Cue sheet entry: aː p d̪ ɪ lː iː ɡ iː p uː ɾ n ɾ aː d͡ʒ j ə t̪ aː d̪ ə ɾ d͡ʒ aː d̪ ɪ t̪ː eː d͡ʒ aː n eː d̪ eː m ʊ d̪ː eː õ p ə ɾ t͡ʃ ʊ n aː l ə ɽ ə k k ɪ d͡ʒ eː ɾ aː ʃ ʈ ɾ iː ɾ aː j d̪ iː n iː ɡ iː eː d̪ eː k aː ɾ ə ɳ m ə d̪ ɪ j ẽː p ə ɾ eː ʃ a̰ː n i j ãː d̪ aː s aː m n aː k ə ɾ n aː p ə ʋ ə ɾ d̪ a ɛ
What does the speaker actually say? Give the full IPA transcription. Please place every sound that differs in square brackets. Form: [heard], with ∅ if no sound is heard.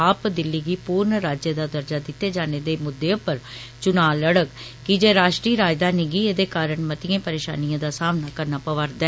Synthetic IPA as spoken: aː p d̪ ɪ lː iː ɡ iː p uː ɾ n ɾ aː d͡ʒ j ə [d̪] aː d̪ ə ɾ d͡ʒ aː d̪ ɪ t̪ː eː d͡ʒ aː n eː d̪ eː m ʊ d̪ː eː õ p ə ɾ t͡ʃ ʊ n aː l ə ɽ ə k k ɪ d͡ʒ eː ɾ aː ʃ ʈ ɾ iː ɾ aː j d̪ [aː] n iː ɡ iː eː d̪ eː k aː ɾ ə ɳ m ə [t̪] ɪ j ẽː p ə ɾ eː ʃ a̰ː n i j ãː d̪ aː s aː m n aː k ə ɾ n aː p ə ʋ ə ɾ d̪ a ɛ